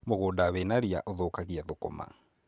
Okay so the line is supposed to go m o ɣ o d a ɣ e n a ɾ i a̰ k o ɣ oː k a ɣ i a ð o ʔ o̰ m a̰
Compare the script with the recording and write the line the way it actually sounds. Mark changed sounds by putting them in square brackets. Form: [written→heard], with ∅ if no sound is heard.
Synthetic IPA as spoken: m o ɣ o d a [ɣ→w] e n a ɾ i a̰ [k→ʔ] o [ɣ→ð] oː k a ɣ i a ð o [ʔ→k] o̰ m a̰